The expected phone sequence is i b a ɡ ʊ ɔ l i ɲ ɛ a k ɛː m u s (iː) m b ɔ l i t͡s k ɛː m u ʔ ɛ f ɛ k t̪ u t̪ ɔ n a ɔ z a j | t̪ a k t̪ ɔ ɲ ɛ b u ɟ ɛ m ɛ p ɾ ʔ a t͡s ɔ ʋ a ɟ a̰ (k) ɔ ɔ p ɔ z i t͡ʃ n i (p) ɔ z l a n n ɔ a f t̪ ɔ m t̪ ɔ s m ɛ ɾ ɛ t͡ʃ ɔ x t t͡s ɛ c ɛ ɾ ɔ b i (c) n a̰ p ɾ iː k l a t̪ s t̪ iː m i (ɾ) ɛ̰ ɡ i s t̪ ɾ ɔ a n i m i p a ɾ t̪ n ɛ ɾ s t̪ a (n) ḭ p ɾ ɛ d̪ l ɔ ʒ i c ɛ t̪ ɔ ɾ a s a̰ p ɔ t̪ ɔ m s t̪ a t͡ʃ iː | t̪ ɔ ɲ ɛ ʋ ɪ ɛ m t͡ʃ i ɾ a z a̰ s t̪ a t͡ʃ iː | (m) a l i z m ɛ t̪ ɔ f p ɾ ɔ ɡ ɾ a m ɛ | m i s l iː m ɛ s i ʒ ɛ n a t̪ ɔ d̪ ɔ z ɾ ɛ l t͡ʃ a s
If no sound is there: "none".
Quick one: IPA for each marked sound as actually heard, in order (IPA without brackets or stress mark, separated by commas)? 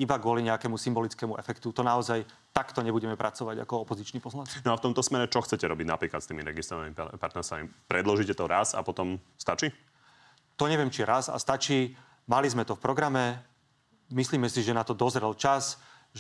i, k, p, ɟ, ɾ, m, m